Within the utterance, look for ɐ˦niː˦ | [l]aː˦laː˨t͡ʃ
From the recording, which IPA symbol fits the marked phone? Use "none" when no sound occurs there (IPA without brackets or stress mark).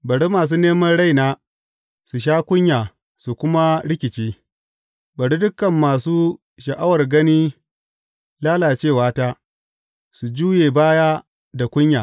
l